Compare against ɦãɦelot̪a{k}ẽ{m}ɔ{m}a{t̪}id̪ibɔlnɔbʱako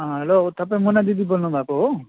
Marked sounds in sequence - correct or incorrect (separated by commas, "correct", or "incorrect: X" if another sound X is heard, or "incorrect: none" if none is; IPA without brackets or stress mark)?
incorrect: p, correct, incorrect: n, incorrect: d̪